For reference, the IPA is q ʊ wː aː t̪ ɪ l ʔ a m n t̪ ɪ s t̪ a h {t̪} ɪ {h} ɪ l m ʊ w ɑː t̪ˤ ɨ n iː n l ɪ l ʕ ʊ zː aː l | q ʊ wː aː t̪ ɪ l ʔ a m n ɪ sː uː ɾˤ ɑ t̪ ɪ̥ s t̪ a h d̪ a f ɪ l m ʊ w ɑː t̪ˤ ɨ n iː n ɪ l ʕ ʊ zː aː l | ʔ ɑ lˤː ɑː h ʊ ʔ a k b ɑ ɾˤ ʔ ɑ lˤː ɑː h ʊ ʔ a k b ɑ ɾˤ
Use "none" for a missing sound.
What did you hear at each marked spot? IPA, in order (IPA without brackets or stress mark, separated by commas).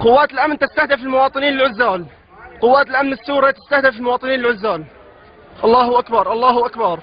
d̪, f